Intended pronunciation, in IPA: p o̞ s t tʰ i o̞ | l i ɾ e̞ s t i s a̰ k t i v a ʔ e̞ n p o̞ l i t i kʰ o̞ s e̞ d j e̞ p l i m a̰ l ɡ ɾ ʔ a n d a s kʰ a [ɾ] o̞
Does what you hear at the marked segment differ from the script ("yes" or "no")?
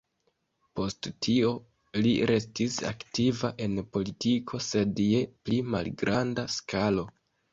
yes